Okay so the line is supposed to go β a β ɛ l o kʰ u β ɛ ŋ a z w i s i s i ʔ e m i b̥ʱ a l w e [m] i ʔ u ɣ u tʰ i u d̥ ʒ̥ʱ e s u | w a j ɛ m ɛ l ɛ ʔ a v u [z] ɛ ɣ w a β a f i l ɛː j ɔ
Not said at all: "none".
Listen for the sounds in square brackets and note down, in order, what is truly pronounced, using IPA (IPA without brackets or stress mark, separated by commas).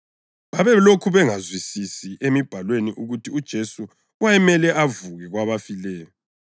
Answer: n, ɣ